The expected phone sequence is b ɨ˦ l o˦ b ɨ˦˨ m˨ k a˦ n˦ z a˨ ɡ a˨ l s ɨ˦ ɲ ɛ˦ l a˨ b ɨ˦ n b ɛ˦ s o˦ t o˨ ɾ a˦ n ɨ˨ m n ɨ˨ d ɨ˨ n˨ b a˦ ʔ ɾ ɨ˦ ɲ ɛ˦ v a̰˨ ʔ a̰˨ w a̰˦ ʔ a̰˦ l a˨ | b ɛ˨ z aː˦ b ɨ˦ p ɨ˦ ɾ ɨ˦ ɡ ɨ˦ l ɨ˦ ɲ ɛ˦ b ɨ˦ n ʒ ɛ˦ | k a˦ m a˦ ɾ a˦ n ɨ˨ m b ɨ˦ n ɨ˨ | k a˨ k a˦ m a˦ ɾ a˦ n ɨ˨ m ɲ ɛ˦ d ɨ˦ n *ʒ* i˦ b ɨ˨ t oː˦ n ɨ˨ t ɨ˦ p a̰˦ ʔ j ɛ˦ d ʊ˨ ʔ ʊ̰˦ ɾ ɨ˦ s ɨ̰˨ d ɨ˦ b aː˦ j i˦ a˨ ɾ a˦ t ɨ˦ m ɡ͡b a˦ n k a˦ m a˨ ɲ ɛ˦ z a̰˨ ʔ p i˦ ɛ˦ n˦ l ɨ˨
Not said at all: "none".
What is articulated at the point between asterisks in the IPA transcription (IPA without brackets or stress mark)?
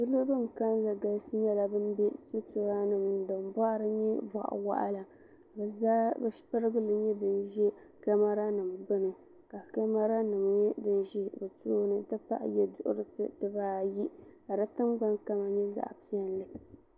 ʒ